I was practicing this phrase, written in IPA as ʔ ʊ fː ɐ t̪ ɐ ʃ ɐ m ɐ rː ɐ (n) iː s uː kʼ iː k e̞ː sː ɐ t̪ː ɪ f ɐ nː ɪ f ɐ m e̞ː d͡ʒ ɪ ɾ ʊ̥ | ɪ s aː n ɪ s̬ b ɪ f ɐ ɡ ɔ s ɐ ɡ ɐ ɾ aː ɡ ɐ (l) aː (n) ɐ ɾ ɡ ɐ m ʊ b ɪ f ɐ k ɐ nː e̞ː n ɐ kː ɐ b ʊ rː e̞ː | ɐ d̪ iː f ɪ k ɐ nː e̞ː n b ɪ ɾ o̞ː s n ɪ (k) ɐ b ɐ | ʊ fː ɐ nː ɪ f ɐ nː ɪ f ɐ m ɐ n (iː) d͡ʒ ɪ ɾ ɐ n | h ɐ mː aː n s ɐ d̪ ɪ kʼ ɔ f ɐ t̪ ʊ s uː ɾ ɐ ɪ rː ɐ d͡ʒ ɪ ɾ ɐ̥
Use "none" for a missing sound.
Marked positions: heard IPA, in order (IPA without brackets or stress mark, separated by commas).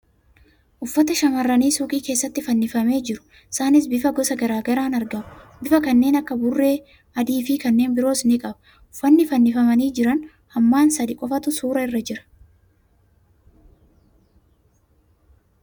n, ɾ, n, kʼ, iː